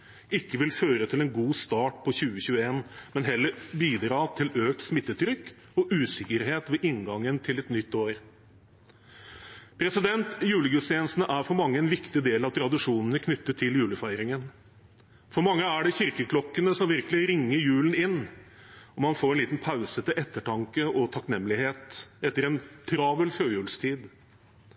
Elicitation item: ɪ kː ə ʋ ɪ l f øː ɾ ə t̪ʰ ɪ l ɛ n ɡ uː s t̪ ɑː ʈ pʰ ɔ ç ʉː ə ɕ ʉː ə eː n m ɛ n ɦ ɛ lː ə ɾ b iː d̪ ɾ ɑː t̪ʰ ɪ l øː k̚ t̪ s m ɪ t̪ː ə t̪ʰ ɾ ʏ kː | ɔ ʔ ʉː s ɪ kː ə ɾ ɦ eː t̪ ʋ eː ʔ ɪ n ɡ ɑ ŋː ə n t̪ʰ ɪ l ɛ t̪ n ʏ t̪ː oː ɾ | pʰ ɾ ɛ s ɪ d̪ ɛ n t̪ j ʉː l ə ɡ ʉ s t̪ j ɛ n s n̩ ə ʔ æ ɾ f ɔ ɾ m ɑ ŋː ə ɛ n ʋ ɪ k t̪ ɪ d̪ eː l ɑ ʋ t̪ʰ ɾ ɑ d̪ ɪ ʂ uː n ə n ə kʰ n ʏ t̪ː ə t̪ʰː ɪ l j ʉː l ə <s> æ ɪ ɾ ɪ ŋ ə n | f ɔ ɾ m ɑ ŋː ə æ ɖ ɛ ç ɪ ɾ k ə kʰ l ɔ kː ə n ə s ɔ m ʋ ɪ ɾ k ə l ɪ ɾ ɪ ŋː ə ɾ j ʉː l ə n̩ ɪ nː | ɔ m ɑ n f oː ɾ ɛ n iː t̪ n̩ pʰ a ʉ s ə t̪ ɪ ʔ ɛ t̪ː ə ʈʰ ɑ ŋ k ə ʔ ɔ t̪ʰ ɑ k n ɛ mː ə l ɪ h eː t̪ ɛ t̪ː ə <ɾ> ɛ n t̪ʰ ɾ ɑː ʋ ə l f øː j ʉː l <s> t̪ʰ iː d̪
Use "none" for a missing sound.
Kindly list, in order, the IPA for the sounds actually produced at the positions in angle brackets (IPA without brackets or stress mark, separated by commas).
f, ɾ, s